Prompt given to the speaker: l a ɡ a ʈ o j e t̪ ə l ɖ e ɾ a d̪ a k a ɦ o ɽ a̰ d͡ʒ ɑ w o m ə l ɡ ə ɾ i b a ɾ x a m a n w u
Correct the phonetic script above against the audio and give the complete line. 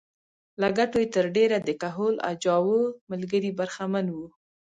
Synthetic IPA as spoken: l a ɡ a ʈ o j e t̪ ə ɾ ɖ e ɾ a d̪ ə k a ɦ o l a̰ d͡ʒ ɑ w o m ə l ɡ ə ɾ i b a ɾ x a m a n w u